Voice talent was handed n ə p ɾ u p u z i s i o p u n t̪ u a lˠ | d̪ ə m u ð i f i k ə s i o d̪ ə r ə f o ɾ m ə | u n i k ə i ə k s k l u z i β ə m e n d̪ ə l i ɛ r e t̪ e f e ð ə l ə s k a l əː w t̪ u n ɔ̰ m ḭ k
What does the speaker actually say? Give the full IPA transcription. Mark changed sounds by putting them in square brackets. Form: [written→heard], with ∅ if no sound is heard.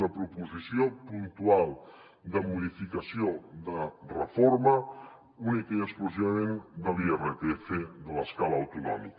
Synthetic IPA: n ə p ɾ u p u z i s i o p u n t̪ u a lˠ | d̪ ə m u ð i f i k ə s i o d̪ ə r ə f o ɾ m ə | u n i k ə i ə k s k l u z i β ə m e n d̪ ə l i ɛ r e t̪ e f e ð ə l ə s k a l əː w t̪ u n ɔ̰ m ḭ k